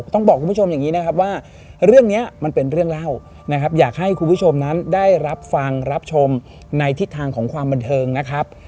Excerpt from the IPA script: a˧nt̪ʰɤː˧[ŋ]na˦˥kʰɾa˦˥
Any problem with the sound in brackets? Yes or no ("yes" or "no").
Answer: no